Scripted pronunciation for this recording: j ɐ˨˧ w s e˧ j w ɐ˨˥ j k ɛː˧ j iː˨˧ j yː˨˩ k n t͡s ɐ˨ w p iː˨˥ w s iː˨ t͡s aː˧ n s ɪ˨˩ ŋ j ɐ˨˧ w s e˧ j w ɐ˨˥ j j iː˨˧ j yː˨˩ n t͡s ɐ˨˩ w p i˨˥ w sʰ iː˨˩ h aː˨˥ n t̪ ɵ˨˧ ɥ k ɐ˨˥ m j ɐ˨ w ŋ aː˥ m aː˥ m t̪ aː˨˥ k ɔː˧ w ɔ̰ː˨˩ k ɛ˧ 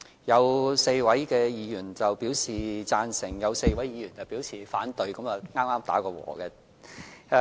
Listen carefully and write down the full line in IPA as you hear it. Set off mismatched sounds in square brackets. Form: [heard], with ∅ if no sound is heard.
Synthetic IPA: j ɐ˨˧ w s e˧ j w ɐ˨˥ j k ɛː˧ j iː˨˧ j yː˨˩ [∅] n t͡s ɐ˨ w p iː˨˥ w s iː˨ t͡s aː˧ n s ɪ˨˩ ŋ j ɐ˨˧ w s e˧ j w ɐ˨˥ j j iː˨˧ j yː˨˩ n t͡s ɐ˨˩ w p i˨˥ w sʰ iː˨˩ [f] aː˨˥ n t̪ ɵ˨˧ ɥ k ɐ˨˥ m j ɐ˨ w ŋ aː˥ m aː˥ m t̪ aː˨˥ k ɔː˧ w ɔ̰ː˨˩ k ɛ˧